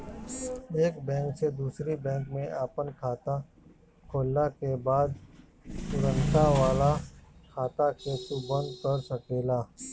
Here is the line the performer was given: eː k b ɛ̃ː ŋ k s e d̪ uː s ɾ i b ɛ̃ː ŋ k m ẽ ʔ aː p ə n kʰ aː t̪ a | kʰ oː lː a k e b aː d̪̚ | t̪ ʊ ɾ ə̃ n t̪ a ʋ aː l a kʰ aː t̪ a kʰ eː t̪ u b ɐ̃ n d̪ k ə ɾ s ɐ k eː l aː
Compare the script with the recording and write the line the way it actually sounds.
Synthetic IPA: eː k b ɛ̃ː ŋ k s e d̪ uː s ɾ i b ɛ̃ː ŋ k m ẽ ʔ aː p ə n kʰ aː t̪ a | kʰ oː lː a k e b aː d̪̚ | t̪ ʊ ɾ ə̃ n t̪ a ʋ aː l a kʰ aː t̪ a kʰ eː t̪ u b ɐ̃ n d̪ k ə ɾ s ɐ k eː l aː